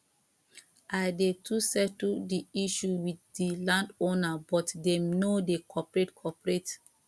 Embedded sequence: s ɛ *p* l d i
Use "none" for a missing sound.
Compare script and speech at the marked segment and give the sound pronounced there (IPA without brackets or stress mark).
t